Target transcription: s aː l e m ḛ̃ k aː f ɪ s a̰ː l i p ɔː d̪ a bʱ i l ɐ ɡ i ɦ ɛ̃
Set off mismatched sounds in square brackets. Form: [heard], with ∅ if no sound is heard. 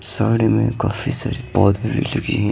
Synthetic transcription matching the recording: s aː [ɽ] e m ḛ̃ k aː f [i] s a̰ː [ɾ] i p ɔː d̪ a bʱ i l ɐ ɡ i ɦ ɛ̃

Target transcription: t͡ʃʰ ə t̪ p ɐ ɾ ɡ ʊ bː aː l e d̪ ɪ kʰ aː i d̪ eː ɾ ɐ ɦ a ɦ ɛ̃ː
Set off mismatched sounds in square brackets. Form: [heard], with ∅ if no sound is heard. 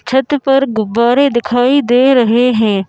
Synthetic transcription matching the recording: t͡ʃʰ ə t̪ p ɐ ɾ ɡ ʊ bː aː [ɾ] e d̪ ɪ kʰ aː i d̪ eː ɾ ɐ ɦ [e] ɦ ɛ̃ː

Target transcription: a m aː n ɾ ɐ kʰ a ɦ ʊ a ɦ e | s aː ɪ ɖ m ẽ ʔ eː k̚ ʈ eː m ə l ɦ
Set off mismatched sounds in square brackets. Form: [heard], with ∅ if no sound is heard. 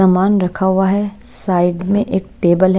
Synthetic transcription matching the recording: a m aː n ɾ ɐ kʰ a ɦ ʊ a ɦ [ɛ] | s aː ɪ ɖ m ẽ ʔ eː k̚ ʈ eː [b] ə l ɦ

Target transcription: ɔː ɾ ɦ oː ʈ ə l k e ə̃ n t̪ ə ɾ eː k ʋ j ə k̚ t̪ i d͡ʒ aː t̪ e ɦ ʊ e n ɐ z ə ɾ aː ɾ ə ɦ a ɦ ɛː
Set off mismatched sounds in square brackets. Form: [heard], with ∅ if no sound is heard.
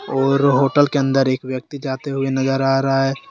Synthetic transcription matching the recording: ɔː ɾ ɦ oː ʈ ə l k e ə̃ n [d̪] ə ɾ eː k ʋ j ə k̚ t̪ i d͡ʒ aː t̪ e ɦ ʊ e n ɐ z ə ɾ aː ɾ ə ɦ a ɦ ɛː

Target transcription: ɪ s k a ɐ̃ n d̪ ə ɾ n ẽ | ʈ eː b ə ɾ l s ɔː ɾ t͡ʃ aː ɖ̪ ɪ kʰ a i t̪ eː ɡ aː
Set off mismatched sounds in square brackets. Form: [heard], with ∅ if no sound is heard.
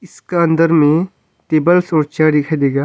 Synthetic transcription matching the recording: ɪ s k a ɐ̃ n d̪ ə ɾ [m] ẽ | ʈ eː b ə [∅] l s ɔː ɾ t͡ʃ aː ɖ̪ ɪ kʰ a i [d̪] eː ɡ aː

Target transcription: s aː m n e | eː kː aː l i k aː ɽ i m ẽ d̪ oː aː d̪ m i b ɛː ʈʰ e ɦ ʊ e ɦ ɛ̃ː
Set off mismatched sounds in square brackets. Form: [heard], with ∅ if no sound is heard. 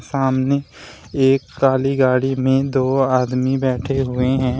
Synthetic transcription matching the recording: s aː m n e | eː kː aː l i [ɡ] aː ɽ i m ẽ d̪ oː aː d̪ m i b ɛː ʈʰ e ɦ ʊ e ɦ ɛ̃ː

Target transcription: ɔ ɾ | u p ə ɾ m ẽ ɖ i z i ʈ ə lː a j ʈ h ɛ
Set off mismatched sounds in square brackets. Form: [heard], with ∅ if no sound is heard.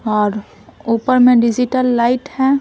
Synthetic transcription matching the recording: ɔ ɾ | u p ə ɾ m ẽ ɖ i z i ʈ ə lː a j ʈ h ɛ

